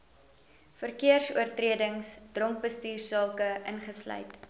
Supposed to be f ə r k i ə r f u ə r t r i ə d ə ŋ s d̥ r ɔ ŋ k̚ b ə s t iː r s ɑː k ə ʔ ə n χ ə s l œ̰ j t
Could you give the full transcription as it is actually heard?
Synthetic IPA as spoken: f ə r k i ə r s u ə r t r i ə d ə ŋ s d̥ r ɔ ŋ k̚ b ə s t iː r s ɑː k ə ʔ ə n χ ə s l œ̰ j t